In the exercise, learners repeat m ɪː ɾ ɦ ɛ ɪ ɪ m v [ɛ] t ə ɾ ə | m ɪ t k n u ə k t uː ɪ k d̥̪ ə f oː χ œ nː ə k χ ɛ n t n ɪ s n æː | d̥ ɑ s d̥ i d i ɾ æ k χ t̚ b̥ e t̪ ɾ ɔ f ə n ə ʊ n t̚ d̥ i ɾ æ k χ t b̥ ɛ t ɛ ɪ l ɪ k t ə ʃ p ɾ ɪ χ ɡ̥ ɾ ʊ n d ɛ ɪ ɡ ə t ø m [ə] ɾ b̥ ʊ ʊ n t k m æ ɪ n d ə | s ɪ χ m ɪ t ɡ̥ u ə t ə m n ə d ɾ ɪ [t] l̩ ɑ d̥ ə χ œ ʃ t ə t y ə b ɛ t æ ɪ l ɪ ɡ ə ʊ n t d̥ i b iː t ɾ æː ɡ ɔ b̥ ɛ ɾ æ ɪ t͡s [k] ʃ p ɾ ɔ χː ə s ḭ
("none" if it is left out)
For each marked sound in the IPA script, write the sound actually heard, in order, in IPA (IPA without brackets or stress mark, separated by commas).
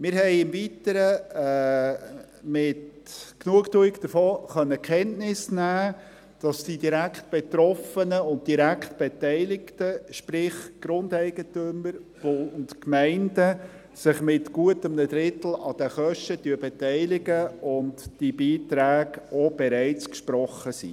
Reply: i, ə, t, k